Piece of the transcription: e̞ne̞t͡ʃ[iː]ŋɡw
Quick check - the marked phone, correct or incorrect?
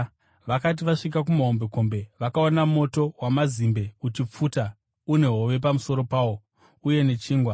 correct